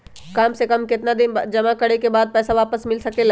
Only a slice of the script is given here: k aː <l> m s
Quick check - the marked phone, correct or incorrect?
incorrect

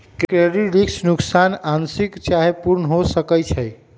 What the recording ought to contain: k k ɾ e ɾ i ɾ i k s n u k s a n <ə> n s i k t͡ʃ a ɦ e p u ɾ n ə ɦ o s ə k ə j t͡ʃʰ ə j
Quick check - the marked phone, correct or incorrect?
incorrect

